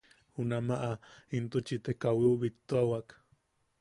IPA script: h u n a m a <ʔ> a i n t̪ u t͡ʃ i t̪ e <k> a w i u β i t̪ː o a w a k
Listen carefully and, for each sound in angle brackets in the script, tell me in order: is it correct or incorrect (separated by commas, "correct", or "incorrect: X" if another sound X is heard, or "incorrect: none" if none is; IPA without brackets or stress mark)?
correct, correct